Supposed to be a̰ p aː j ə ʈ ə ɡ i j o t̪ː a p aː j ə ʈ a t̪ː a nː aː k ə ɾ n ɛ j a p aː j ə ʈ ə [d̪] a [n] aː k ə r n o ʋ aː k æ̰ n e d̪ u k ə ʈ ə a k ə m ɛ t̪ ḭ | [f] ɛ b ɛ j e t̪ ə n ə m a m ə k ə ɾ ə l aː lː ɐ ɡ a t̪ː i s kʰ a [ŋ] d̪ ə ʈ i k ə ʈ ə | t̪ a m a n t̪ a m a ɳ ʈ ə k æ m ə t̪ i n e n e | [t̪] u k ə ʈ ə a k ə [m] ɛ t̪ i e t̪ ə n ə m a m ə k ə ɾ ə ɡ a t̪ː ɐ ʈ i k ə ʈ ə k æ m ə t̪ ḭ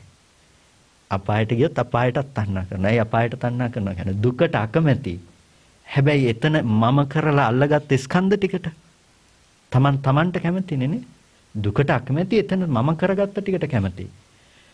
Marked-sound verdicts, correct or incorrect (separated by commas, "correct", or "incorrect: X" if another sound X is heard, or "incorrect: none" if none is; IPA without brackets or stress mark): incorrect: t̪, incorrect: nː, incorrect: h, incorrect: n, incorrect: d̪, correct